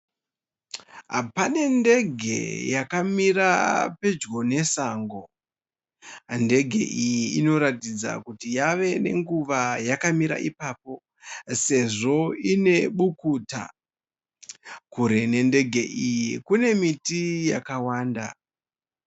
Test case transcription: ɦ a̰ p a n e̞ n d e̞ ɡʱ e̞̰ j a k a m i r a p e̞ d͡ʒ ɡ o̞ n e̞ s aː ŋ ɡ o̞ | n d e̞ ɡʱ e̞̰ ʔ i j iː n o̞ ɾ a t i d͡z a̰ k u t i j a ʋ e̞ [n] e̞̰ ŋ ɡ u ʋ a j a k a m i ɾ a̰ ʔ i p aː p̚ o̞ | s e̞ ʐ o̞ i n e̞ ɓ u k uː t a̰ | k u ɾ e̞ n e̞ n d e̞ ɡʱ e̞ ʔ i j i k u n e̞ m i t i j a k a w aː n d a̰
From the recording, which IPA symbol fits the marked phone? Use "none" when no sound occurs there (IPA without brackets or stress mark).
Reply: n